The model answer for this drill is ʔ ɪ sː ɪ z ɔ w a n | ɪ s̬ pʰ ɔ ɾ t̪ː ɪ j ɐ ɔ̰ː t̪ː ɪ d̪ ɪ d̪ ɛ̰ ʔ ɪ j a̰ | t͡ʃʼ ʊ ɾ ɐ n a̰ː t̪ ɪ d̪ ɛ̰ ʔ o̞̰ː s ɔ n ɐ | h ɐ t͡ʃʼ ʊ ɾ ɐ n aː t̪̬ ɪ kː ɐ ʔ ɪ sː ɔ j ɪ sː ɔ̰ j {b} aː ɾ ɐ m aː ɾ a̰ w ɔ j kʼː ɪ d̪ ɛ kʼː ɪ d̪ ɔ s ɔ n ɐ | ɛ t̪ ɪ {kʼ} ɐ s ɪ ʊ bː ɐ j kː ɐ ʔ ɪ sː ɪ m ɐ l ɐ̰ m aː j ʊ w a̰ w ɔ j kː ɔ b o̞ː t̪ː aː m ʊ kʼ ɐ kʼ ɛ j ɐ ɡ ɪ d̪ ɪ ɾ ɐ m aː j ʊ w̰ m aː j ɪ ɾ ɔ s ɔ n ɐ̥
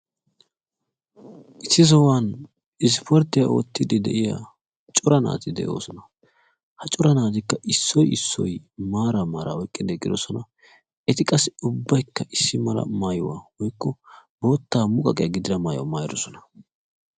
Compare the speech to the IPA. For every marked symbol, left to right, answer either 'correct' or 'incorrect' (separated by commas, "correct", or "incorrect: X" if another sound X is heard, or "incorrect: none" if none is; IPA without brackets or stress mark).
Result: incorrect: m, correct